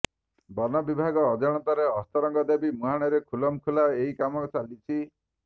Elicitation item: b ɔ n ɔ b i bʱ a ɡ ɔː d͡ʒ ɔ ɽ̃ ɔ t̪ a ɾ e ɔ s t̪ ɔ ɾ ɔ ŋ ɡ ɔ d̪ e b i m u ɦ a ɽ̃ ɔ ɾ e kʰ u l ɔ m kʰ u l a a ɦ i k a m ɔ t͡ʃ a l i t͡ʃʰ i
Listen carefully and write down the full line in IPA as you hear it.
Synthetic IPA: b ɔ n ɔ b i bʱ a ɡ ɔː d͡ʒ ɔ ɽ̃ ɔ t̪ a ɾ e ɔ s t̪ ɔ ɾ ɔ ŋ ɡ ɔ d̪ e b i m u ɦ a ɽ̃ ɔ ɾ e kʰ u l ɔ m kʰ u l a e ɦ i k a m ɔ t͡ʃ a l i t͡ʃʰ i